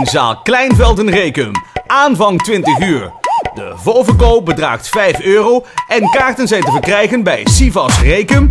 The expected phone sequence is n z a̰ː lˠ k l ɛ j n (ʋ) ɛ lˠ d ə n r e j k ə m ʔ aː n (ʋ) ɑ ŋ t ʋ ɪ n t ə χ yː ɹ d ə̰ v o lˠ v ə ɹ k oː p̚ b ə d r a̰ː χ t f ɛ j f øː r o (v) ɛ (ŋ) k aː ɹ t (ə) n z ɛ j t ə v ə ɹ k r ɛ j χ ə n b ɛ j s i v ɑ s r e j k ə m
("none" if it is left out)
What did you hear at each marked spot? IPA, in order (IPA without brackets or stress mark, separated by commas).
v, v, w, n, ə